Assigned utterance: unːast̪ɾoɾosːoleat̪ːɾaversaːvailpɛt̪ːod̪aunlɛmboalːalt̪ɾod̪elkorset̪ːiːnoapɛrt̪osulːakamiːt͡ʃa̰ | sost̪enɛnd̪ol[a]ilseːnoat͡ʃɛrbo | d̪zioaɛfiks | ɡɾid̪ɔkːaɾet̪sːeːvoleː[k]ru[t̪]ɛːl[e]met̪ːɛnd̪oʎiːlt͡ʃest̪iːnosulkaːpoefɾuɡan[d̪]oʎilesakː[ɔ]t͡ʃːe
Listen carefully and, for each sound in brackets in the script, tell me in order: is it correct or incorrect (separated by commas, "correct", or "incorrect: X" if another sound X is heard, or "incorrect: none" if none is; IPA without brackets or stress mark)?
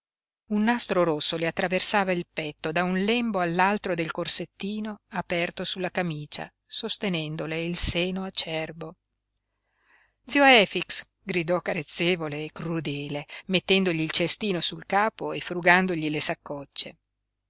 incorrect: e, correct, incorrect: d̪, correct, correct, correct